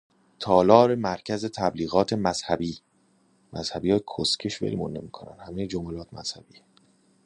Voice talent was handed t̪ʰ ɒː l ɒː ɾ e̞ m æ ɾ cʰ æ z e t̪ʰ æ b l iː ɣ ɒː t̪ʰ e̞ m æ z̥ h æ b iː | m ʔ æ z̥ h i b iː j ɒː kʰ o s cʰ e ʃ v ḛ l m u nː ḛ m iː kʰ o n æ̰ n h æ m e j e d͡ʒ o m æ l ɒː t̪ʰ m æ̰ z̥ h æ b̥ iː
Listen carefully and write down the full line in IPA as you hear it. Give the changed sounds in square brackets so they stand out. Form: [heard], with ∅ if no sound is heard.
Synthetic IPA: t̪ʰ ɒː l ɒː ɾ e̞ m æ ɾ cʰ æ z e t̪ʰ æ b l iː ɣ ɒː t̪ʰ e̞ m æ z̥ h æ b iː | m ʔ æ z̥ h [æ] b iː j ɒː kʰ o s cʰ e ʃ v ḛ l m u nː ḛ m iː kʰ o n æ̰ n h æ m e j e d͡ʒ o m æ l ɒː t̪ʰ m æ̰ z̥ h æ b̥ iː